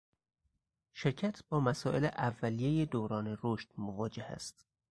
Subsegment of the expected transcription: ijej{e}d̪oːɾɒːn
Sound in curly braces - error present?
no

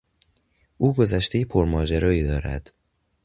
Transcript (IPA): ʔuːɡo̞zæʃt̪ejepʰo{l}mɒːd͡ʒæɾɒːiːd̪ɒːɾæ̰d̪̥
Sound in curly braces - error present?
yes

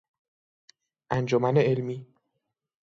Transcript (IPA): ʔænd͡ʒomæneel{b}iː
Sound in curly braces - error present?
yes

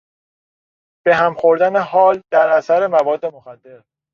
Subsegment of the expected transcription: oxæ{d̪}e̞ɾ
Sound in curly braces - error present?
yes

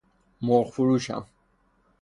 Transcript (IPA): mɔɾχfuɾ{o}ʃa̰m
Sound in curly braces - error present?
yes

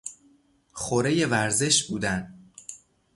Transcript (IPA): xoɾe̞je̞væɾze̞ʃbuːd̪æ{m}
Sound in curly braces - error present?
yes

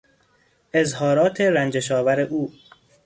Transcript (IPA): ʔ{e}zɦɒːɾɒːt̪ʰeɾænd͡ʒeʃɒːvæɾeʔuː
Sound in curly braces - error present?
no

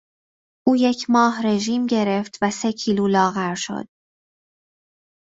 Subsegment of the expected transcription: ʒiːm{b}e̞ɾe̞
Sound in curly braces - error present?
yes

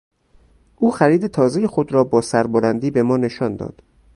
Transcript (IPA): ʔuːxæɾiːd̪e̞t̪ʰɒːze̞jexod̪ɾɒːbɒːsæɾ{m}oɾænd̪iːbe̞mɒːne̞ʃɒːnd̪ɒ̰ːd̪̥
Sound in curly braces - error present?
yes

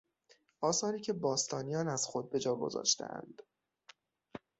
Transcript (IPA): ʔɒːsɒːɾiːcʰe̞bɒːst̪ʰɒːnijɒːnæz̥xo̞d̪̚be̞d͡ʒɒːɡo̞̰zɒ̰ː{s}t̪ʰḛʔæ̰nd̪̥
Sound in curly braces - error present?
yes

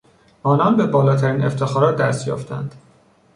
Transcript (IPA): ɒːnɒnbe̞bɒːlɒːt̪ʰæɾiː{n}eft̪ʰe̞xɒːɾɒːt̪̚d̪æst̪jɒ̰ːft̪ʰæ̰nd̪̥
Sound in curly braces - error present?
no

